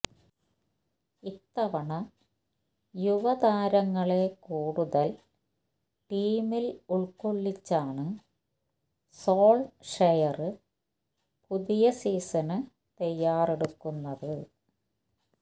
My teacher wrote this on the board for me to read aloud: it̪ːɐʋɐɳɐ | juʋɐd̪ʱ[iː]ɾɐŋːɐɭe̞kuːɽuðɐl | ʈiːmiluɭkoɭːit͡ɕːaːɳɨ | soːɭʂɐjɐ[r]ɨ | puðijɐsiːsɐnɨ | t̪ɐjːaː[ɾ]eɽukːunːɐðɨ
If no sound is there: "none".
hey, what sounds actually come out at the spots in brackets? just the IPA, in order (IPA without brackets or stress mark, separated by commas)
aː, r, r